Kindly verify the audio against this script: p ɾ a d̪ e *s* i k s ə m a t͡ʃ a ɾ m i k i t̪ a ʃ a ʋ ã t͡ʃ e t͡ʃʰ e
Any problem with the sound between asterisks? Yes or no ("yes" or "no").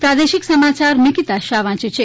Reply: yes